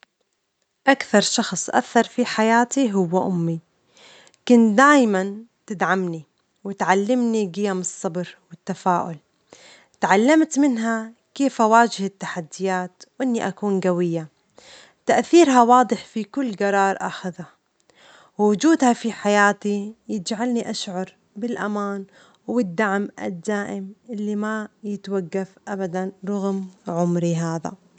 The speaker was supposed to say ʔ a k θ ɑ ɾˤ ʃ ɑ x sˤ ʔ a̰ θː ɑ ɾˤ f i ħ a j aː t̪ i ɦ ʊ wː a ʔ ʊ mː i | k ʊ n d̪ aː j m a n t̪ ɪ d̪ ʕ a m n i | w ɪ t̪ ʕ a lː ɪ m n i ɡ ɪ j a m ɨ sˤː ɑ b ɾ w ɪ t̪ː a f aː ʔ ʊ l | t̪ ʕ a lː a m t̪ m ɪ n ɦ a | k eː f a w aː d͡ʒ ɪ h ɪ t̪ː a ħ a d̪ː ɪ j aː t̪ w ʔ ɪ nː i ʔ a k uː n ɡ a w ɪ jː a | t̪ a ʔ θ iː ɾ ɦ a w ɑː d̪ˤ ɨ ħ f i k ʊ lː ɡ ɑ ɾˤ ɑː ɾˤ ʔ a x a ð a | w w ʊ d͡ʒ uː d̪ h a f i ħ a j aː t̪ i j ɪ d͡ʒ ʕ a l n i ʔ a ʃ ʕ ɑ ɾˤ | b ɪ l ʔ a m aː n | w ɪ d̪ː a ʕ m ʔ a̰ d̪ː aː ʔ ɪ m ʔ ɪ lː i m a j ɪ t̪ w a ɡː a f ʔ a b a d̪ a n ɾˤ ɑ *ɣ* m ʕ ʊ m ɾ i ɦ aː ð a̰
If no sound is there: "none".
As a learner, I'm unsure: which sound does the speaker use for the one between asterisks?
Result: ɣ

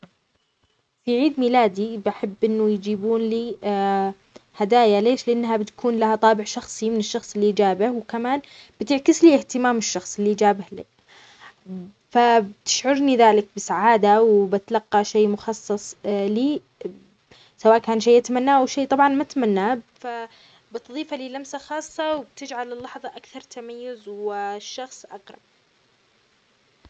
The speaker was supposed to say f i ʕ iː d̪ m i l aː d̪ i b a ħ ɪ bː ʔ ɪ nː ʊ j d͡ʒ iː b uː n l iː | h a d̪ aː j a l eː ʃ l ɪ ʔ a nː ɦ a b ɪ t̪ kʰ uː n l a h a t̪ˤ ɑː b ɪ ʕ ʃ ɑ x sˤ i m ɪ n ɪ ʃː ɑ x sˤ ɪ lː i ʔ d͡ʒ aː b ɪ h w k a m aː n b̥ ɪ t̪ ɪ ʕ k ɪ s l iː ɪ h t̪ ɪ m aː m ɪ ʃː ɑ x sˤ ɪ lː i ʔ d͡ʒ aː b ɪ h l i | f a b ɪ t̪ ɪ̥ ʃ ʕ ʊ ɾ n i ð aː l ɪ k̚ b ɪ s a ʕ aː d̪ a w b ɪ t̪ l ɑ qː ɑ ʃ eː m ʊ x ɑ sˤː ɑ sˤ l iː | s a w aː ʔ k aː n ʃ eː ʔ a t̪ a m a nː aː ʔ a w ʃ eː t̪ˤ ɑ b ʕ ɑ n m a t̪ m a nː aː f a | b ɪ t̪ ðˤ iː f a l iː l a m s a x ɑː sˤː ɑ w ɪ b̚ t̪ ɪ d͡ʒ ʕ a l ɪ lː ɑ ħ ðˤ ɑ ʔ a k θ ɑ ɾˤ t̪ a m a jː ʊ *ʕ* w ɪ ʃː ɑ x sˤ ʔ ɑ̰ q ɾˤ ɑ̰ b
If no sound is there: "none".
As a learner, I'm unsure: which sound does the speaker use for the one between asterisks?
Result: z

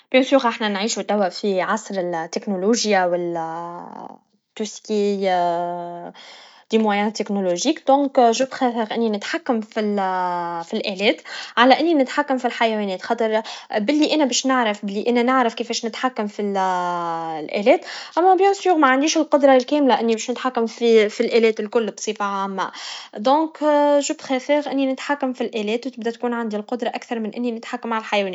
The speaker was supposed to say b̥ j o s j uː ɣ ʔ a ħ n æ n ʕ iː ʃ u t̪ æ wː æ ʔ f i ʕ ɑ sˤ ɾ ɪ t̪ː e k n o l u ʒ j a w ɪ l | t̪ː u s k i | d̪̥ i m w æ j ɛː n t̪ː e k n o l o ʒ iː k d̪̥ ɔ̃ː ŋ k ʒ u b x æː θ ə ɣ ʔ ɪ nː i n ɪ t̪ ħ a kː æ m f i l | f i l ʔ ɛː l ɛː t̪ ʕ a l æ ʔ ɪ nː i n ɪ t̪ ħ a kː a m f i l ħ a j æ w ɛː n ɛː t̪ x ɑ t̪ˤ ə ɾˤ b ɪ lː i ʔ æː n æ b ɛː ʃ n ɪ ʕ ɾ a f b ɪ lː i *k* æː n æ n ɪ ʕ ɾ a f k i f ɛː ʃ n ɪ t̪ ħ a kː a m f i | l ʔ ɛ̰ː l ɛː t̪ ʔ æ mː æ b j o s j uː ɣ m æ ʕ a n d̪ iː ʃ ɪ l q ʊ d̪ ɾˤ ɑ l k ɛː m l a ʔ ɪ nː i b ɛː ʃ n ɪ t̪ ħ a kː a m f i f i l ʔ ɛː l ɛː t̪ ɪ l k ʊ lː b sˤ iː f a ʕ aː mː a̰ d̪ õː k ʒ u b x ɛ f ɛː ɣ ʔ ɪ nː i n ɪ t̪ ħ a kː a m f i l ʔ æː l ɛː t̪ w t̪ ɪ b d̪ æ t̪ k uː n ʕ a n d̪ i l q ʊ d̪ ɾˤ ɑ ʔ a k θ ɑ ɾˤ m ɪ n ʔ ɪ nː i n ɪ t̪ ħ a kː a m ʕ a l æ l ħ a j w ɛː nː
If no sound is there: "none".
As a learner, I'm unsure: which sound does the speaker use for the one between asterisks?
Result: ʔ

